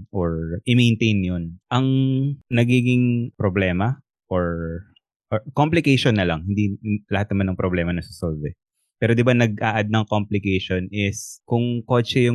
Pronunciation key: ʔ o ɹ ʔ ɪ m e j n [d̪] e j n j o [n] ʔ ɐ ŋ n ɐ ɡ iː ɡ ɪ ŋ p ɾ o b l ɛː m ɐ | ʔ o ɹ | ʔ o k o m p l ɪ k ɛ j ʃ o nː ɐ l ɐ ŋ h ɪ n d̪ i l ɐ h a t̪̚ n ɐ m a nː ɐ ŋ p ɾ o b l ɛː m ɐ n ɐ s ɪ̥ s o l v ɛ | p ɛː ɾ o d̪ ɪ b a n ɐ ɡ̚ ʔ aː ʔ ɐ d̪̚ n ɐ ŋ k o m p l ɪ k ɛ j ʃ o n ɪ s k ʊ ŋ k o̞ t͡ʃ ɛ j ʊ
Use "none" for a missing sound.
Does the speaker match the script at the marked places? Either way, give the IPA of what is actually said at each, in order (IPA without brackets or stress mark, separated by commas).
t̪, n